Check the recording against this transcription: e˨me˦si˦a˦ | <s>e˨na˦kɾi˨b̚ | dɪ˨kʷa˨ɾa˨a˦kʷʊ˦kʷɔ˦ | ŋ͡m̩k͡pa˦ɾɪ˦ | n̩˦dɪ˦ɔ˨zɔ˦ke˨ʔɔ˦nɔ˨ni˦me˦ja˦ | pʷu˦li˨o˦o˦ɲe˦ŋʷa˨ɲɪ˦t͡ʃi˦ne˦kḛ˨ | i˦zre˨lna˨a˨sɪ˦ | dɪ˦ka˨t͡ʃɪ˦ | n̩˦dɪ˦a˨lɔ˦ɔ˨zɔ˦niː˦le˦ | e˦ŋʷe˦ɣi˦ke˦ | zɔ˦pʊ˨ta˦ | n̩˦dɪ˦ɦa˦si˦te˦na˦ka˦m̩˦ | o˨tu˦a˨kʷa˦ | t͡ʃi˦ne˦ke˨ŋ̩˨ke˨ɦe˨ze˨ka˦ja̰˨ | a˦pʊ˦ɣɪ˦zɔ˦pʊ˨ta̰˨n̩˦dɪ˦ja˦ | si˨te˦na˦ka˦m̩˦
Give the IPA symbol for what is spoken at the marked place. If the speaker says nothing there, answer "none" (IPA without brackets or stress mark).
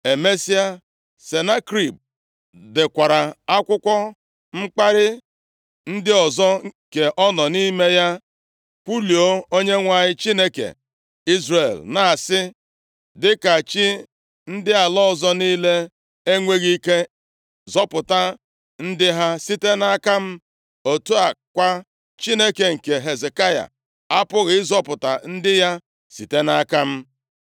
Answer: s